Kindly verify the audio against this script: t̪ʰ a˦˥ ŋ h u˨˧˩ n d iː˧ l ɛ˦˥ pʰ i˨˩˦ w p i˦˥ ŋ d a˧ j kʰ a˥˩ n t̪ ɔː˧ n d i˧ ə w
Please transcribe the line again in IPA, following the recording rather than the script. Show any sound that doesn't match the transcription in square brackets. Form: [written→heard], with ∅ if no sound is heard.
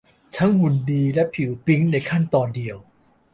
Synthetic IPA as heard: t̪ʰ a˦˥ ŋ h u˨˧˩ n d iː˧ l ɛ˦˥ pʰ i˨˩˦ w p i˦˥ ŋ [d→n] a˧ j kʰ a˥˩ n t̪ ɔː˧ n d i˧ ə w